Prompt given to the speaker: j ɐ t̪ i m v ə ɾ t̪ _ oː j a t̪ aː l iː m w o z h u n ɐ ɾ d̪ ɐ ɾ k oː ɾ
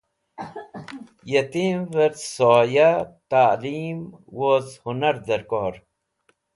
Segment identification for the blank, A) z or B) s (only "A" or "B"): B